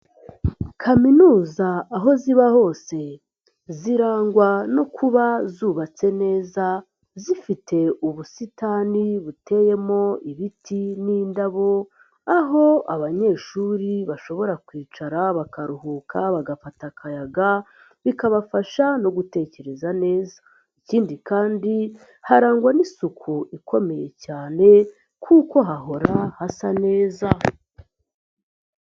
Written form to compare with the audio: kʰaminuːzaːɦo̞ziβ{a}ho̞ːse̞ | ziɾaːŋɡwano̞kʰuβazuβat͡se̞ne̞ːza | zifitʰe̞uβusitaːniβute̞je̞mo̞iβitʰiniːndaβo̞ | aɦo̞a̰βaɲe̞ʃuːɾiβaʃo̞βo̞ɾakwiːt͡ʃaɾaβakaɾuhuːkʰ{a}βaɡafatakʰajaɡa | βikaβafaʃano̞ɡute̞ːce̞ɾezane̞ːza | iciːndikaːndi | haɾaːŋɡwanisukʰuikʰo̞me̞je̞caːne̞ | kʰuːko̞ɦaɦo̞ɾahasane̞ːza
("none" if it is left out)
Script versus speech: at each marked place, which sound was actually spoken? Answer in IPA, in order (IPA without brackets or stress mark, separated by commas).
a, a